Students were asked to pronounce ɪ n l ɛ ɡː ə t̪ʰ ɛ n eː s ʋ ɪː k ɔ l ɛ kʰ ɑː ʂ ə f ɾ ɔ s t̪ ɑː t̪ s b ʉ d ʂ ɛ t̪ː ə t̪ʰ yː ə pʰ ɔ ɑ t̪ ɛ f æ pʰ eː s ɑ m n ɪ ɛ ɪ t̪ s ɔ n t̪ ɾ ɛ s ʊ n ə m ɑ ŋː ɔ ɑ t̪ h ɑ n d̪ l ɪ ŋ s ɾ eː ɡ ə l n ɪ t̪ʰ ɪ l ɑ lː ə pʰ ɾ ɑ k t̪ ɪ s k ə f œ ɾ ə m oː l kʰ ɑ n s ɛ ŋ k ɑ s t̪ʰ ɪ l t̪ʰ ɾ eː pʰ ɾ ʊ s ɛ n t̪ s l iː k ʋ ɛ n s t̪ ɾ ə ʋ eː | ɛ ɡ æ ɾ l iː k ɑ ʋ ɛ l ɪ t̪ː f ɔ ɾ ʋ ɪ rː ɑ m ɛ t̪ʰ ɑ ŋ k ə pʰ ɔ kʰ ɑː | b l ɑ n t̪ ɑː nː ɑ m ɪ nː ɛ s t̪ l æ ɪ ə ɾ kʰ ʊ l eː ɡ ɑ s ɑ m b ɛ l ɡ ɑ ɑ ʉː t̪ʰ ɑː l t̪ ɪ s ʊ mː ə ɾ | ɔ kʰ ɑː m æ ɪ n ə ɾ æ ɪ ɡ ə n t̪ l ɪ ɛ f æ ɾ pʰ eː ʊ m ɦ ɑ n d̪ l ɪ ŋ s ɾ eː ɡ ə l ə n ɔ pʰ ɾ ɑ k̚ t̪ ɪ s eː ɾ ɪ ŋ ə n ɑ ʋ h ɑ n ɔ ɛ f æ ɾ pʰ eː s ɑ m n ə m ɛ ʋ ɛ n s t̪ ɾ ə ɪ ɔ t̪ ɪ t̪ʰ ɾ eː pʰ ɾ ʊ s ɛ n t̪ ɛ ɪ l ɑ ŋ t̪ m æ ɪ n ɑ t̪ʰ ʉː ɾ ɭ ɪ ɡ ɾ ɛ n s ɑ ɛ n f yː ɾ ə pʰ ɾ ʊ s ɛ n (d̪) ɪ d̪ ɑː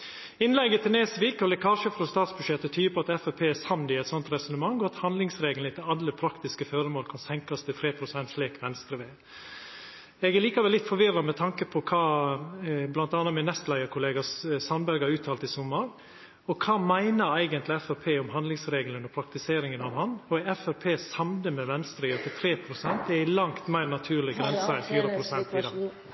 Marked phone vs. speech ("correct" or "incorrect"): incorrect